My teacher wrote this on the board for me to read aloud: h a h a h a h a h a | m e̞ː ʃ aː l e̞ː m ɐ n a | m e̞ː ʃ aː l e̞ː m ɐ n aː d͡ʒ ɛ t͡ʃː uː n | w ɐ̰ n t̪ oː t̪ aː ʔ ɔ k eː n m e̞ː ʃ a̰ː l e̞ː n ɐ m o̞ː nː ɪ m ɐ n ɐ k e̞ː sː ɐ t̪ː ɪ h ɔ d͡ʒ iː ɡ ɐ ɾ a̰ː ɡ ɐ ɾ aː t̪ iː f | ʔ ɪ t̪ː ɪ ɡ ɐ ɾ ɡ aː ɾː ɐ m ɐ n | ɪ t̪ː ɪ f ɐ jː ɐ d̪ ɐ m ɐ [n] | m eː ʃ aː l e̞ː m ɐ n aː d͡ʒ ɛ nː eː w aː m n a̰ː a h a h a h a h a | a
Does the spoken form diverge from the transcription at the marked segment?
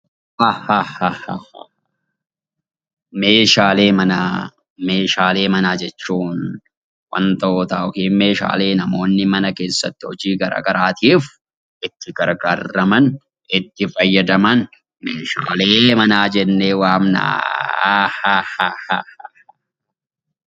no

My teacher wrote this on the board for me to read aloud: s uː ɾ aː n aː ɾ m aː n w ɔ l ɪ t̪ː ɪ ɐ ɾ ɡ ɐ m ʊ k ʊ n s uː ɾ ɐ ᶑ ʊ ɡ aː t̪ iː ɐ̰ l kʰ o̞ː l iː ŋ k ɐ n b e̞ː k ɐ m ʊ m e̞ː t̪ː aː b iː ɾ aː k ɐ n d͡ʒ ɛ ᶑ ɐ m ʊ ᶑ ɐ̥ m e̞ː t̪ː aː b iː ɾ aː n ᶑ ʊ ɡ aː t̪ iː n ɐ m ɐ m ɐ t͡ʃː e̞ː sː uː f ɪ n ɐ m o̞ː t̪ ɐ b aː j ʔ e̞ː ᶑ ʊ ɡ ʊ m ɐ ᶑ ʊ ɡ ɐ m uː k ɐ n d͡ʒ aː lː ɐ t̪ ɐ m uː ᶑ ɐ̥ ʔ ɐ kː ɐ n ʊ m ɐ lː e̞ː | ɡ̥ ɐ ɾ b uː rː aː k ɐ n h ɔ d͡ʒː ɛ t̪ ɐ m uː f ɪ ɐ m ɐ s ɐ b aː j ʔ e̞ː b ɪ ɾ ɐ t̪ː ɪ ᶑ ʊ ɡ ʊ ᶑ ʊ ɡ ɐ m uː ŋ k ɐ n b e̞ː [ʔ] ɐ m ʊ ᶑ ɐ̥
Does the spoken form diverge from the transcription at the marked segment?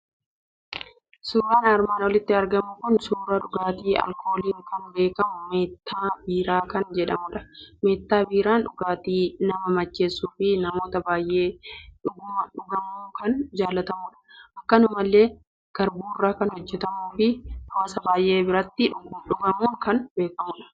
yes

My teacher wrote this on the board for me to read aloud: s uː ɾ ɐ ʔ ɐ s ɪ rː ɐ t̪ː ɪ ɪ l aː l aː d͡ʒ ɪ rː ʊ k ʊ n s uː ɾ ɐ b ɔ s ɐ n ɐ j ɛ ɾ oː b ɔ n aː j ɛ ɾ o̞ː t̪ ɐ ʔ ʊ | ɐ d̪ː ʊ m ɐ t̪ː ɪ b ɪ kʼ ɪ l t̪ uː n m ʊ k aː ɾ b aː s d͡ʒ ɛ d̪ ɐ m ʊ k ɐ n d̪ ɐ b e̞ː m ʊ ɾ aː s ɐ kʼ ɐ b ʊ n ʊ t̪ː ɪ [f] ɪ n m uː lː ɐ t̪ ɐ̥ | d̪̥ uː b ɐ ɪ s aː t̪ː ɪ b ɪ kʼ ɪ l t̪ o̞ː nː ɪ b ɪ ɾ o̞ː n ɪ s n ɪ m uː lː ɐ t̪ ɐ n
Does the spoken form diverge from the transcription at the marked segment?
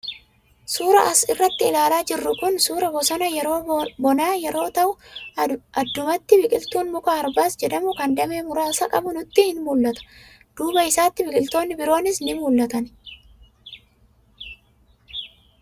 yes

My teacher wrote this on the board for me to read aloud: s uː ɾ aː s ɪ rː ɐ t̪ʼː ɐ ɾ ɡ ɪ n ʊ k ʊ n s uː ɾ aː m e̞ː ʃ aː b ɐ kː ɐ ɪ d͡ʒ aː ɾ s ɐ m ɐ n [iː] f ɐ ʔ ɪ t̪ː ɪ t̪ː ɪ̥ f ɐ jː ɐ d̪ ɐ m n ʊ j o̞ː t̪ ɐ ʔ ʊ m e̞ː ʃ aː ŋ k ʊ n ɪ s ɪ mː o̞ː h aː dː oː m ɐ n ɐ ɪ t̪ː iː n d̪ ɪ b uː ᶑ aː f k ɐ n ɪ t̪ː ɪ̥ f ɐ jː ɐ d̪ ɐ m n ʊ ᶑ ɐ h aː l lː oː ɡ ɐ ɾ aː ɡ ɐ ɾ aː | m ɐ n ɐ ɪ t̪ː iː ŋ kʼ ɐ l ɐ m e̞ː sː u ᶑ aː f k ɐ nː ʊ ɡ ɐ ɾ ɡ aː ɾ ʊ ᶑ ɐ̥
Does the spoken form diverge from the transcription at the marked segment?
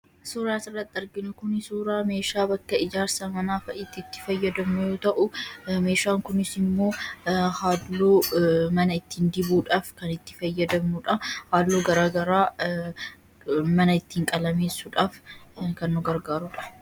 yes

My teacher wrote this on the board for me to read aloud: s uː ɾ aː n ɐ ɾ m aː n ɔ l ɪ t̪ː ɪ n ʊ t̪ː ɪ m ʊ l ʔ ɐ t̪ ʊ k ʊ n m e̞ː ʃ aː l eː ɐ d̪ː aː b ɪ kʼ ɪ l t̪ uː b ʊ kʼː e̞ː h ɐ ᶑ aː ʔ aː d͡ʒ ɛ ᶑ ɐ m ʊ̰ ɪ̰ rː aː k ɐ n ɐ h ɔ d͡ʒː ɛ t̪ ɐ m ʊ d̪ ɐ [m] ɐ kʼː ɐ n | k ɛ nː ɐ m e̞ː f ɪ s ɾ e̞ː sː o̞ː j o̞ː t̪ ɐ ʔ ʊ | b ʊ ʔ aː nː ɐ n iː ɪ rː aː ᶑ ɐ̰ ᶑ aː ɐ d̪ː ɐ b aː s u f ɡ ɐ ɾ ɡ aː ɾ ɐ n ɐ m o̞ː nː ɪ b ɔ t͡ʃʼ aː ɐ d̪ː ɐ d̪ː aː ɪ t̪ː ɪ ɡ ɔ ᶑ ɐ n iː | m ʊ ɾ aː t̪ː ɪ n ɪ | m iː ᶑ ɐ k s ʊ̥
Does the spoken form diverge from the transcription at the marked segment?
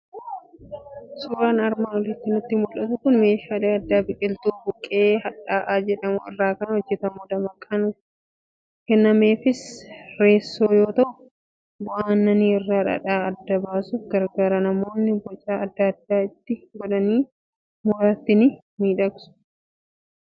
no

